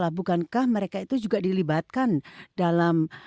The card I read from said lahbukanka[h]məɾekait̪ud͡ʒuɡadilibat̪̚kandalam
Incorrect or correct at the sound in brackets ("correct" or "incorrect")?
correct